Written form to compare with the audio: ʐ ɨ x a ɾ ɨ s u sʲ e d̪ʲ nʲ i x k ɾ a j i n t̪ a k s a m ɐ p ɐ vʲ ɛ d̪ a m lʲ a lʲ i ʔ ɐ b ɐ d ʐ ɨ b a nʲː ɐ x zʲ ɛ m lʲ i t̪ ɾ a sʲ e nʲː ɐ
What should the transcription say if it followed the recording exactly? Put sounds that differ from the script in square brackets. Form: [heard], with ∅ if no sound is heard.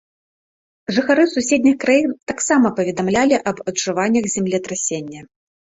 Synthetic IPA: ʐ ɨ x a ɾ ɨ s u sʲ e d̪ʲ nʲ i x k ɾ a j i n t̪ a k s a m ɐ p ɐ vʲ ɛ d̪ a m lʲ a lʲ i ʔ ɐ b ɐ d ʐ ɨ [v] a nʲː ɐ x zʲ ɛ m lʲ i t̪ ɾ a sʲ e nʲː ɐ